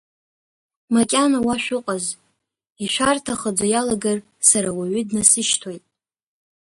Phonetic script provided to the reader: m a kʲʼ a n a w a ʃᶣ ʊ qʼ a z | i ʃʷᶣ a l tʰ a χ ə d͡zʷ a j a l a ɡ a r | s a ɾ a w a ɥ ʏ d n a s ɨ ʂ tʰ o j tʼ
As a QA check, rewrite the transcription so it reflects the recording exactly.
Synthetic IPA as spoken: m a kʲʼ a n a w a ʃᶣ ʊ qʼ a z | i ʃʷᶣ a r tʰ a χ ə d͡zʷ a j a l a ɡ a r | s a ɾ a w a ɥ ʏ d n a s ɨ ʃ tʰ o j tʼ